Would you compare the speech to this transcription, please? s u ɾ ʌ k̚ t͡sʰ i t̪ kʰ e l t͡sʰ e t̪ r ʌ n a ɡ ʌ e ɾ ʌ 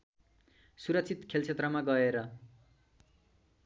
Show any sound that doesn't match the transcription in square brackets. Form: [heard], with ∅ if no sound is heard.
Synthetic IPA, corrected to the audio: s u ɾ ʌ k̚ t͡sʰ i t̪ kʰ e l t͡sʰ e t̪ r ʌ [m] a ɡ ʌ e ɾ ʌ